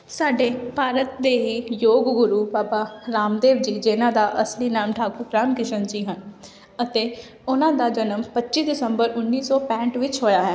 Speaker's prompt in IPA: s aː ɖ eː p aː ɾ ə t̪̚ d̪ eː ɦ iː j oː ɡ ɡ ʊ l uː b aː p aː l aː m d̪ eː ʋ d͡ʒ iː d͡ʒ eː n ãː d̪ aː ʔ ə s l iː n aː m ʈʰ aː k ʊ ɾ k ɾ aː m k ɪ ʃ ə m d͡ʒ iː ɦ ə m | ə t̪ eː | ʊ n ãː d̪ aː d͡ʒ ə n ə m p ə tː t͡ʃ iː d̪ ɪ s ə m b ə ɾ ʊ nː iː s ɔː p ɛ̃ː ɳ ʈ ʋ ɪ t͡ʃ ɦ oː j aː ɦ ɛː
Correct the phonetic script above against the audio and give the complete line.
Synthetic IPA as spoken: s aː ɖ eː p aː ɾ ə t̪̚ d̪ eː ɦ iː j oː ɡ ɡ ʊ ɾ uː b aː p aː ɾ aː m d̪ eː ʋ d͡ʒ iː d͡ʒ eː n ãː d̪ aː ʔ ə s l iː n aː m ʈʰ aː k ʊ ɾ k ɾ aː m k ɪ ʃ ə n d͡ʒ iː ɦ ə n | ə t̪ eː | ʊ n ãː d̪ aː d͡ʒ ə n ə m p ə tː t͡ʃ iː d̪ ɪ s ə m b ə ɾ ʊ nː iː s ɔː p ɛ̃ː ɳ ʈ ʋ ɪ t͡ʃ ɦ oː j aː ɦ ɛː